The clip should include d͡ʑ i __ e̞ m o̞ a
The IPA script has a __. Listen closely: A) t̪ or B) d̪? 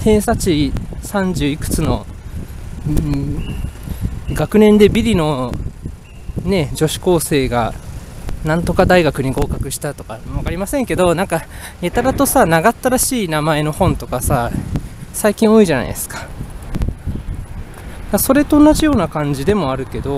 B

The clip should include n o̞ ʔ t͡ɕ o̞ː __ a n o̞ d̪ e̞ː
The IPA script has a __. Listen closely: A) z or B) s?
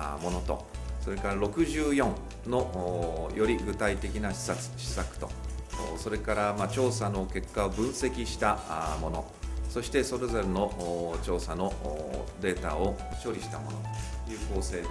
B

